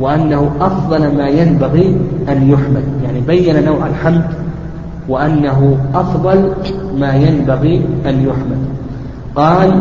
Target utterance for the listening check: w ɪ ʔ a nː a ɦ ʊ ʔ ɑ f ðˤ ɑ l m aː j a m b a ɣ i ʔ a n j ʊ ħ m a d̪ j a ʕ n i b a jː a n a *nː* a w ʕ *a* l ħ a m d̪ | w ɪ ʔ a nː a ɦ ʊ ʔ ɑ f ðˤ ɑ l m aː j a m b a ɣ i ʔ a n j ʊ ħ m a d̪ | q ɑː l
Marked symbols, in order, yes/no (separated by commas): no, yes